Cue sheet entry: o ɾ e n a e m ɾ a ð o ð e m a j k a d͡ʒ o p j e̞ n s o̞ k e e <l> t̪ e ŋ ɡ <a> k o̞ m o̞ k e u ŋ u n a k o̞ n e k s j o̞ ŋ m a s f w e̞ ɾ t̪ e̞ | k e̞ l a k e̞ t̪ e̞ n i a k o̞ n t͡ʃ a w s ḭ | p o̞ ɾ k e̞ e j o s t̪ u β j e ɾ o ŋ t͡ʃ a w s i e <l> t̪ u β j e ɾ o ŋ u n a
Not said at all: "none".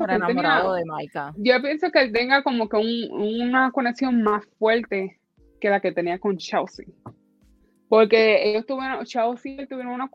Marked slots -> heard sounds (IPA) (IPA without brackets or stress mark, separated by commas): l, a, l